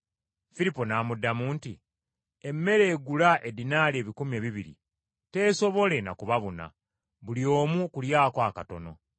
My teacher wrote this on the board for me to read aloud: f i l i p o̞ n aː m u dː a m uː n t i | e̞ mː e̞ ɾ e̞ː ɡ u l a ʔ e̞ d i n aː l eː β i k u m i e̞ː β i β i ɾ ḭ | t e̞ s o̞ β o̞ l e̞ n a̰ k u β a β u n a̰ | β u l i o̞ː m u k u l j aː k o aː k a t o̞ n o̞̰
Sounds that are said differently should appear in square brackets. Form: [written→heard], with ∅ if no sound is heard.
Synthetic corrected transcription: f i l i p o̞ n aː m u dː a m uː n t i | e̞ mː e̞ ɾ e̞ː ɡ u l a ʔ e̞ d i n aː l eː β i k u m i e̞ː β i β i ɾ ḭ | t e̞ s o̞ β o̞ l e̞ n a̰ k u β a β u n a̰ | β u l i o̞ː m u k u l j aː k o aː k a t o̞ n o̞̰